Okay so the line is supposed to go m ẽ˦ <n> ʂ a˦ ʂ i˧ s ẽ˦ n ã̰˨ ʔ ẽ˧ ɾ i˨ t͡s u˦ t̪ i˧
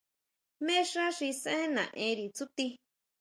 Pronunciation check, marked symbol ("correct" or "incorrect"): incorrect